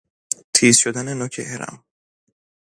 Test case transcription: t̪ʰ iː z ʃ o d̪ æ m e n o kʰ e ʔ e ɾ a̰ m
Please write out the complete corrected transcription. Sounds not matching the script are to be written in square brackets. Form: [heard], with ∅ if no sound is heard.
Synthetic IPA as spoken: t̪ʰ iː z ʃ o d̪ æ [n] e n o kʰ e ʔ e ɾ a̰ m

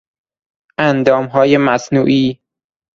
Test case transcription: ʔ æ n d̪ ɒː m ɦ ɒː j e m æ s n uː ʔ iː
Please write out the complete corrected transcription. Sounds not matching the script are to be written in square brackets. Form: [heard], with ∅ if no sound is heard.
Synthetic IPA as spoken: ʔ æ n d̪ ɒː m ɦ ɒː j e m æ s n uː ʔ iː

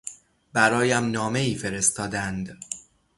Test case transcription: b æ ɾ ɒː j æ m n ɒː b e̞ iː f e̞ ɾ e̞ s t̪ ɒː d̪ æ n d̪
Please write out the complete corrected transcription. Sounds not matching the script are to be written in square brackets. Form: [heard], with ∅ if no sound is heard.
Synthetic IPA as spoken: b æ ɾ ɒː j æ m n ɒː [m] e̞ iː f e̞ ɾ e̞ s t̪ ɒː d̪ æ n d̪

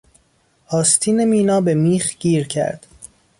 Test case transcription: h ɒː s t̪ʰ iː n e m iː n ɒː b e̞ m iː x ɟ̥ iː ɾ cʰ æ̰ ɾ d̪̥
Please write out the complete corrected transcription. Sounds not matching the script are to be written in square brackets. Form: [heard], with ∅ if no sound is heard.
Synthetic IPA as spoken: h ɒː s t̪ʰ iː n e m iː n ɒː b e̞ m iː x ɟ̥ iː ɾ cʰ æ̰ ɾ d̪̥

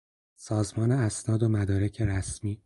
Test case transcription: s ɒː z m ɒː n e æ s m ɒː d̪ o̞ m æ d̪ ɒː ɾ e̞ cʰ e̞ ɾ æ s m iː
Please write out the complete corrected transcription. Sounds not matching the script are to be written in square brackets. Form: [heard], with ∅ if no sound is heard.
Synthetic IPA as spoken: s ɒː z m ɒː n e æ s [n] ɒː d̪ o̞ m æ d̪ ɒː ɾ e̞ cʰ e̞ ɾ æ s m iː

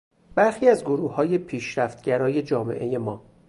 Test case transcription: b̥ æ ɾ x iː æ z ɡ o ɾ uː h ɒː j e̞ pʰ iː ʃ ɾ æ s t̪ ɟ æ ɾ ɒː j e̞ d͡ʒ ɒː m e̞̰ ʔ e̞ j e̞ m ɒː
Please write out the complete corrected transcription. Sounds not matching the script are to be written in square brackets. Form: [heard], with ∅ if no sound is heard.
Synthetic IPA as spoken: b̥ æ ɾ x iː æ z ɡ o ɾ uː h ɒː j e̞ pʰ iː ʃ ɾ æ [f] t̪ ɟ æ ɾ ɒː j e̞ d͡ʒ ɒː m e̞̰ ʔ e̞ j e̞ m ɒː

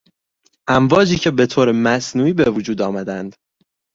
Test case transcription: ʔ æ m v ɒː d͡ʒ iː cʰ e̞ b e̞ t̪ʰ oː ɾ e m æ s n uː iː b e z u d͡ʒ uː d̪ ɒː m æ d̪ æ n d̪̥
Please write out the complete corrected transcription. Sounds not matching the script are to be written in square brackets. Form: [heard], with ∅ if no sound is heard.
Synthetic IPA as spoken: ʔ æ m v ɒː d͡ʒ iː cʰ e̞ b e̞ t̪ʰ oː ɾ e m æ s n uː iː b e [v] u d͡ʒ uː d̪ ɒː m æ d̪ æ n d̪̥

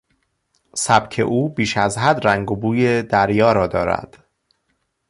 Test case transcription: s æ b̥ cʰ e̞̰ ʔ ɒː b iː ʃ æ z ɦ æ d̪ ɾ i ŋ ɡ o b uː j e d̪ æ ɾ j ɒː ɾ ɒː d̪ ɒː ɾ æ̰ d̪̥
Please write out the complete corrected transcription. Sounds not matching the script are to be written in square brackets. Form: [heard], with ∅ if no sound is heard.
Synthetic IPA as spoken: s æ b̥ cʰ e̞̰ ʔ [uː] b iː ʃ æ z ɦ æ d̪ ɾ [æ] ŋ ɡ o b uː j e d̪ æ ɾ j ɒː ɾ ɒː d̪ ɒː ɾ æ̰ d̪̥

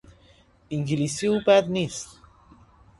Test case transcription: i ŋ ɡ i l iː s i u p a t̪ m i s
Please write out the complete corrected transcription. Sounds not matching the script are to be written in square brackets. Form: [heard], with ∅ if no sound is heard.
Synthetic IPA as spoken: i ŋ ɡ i l [i] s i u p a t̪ [n] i s

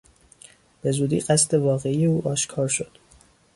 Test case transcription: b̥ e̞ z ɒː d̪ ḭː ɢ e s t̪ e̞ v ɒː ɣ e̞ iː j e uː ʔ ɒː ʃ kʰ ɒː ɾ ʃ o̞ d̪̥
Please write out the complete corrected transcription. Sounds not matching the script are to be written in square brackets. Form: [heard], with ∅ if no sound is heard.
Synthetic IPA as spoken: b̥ e̞ z [uː] d̪ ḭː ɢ [æ] s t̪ e̞ v ɒː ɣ e̞ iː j e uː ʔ ɒː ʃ kʰ ɒː ɾ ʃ o̞ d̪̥

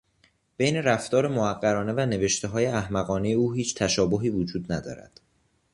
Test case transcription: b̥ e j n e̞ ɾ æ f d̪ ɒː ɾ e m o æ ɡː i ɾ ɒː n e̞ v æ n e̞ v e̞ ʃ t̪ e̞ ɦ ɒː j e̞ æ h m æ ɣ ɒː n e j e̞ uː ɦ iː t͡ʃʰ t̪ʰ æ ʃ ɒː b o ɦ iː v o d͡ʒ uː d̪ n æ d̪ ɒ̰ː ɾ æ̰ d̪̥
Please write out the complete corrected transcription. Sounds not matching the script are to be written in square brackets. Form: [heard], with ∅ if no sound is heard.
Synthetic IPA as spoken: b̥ e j n e̞ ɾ æ f [t̪] ɒː ɾ e m o æ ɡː [æ] ɾ ɒː n e̞ v æ n e̞ v e̞ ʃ t̪ e̞ ɦ ɒː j e̞ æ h m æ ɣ ɒː n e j e̞ uː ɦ iː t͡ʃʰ t̪ʰ æ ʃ ɒː b o ɦ iː v o d͡ʒ uː d̪ n æ d̪ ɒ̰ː ɾ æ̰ d̪̥

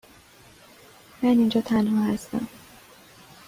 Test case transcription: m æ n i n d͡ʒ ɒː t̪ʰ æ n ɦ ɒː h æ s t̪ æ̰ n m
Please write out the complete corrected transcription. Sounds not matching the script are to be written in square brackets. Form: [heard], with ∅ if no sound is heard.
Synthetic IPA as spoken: m æ n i n d͡ʒ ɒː t̪ʰ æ n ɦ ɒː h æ s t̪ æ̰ [∅] m

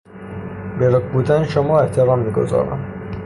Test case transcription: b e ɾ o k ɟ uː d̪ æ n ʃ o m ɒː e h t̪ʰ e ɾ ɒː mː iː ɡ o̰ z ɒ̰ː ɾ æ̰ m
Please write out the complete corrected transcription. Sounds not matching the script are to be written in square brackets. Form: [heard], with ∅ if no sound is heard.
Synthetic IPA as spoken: b e ɾ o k [b] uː d̪ æ n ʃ o m ɒː e h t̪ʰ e ɾ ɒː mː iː ɡ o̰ z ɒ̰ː ɾ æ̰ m

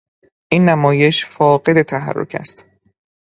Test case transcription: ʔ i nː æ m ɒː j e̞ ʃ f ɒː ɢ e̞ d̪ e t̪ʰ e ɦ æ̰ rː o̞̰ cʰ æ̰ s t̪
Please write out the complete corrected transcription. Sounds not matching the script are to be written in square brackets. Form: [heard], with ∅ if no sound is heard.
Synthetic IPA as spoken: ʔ i nː æ m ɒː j e̞ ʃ f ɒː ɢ e̞ d̪ e t̪ʰ [æ] ɦ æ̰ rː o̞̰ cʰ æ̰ s t̪

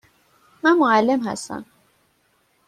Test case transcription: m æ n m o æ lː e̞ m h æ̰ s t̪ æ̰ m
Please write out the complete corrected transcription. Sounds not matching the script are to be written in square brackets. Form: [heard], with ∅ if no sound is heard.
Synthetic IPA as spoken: m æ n m o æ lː e̞ m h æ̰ s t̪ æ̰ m

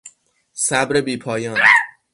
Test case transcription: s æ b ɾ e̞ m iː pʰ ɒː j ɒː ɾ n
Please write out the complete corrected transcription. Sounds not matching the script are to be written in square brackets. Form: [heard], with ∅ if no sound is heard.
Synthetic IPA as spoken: s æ b ɾ e̞ [b] iː pʰ ɒː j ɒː [∅] n

